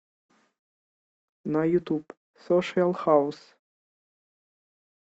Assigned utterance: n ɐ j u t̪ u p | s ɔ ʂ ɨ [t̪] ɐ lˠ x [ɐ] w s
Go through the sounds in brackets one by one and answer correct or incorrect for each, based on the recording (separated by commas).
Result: incorrect, incorrect